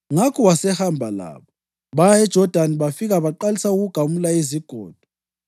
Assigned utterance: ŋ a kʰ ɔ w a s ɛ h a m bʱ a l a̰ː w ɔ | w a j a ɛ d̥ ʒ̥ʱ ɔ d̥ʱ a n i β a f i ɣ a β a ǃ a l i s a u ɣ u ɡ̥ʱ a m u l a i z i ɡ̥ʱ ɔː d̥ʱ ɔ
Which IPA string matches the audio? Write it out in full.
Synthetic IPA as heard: ŋ a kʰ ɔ w a s ɛ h a m bʱ a l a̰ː β ɔ | β a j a ɛ d̥ ʒ̥ʱ ɔ d̥ʱ a n i β a f i ɣ a β a ǃ a l i s a u ɣ u ɡ̥ʱ a m u l a i z i ɡ̥ʱ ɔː d̥ʱ ɔ